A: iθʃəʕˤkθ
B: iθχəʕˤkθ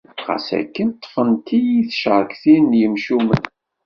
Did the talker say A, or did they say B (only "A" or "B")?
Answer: A